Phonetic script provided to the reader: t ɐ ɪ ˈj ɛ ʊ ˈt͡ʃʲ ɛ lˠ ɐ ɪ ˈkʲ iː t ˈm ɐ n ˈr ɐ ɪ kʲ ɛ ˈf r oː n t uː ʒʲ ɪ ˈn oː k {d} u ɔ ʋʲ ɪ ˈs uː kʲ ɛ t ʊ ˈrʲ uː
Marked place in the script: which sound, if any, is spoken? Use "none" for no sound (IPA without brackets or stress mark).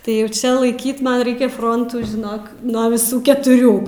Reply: n